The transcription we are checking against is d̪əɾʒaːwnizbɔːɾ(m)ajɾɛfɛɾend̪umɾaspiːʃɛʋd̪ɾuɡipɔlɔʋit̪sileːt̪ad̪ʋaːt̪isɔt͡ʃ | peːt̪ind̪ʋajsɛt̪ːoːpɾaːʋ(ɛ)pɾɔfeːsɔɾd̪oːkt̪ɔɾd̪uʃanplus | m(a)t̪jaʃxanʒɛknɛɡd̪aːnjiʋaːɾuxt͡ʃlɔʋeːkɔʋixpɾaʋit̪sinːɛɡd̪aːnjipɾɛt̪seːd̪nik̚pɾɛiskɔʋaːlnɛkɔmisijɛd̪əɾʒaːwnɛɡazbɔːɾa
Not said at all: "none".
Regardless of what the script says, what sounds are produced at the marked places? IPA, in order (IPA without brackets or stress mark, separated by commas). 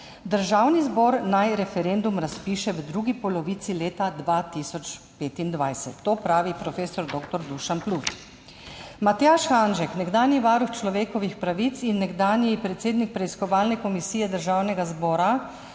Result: n, i, a